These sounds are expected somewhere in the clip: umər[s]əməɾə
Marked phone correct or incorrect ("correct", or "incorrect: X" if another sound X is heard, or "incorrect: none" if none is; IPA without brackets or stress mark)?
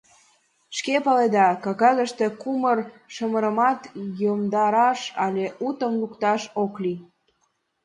incorrect: ʃ